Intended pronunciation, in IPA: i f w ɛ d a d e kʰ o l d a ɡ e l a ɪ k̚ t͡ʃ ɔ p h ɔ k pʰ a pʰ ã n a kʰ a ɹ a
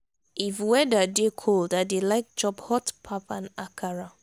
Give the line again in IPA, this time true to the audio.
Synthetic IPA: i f w ɛ d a d e kʰ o l d a d e l a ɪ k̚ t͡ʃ ɔ p h ɔ t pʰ a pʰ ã n a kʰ a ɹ a